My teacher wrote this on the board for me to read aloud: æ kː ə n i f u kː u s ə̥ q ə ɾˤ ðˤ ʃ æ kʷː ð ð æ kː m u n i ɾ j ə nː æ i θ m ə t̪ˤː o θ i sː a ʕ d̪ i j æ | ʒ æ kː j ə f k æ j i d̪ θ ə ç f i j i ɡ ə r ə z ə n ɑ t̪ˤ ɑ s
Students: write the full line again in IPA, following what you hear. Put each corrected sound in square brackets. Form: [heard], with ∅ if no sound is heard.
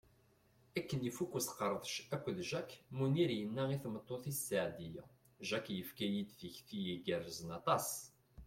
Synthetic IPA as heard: æ kː ə n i f u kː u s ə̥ q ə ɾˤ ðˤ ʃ æ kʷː ð [ʒ] æ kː m u n i ɾ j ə nː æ i θ m ə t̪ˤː o θ i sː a ʕ d̪ i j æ | ʒ æ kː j ə f k æ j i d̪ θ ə ç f i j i ɡ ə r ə z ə n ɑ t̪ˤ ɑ s